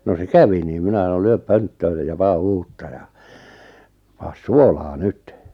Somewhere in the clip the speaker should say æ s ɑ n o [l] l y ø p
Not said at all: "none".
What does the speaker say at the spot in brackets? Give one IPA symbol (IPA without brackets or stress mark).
l